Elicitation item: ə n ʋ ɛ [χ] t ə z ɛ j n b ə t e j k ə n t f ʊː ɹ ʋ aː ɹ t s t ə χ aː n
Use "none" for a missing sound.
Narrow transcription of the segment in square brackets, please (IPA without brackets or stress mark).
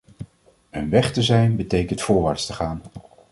χ